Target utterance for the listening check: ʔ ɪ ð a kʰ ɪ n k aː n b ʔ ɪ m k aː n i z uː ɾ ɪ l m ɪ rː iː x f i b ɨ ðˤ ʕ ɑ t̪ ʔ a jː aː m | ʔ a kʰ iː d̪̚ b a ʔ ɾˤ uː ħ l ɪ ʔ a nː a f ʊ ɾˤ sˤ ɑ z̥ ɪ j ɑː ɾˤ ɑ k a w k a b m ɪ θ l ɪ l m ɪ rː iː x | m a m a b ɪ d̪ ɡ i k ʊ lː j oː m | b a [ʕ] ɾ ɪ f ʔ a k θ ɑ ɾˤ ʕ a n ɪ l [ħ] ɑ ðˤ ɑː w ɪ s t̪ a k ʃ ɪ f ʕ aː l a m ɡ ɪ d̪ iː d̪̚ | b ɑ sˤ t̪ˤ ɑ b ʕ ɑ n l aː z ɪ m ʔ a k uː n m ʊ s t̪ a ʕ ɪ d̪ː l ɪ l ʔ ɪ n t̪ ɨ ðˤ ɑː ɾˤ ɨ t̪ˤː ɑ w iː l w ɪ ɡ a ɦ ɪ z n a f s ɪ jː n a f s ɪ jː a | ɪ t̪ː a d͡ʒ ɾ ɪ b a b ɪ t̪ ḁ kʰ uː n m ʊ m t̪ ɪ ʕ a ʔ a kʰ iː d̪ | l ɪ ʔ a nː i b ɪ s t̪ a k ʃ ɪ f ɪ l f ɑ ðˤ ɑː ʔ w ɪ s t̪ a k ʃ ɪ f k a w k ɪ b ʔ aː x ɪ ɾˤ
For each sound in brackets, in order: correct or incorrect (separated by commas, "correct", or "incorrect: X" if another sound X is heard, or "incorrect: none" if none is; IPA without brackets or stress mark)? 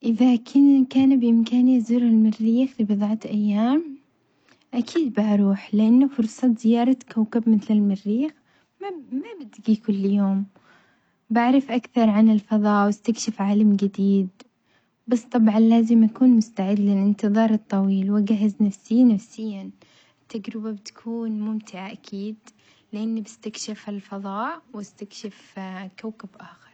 correct, incorrect: f